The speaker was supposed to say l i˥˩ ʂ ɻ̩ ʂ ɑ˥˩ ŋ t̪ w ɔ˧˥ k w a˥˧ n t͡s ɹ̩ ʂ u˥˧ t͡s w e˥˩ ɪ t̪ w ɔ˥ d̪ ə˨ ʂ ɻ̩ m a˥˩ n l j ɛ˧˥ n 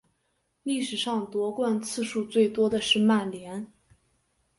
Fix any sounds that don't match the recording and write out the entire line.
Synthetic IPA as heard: l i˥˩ ʂ ɻ̩ ʂ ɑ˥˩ ŋ t̪ w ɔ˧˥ k w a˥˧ n t͡sʰ ɹ̩ ʂ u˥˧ t͡s w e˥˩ ɪ t̪ w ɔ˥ d̪ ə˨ ʂ ɻ̩ m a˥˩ n l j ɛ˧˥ n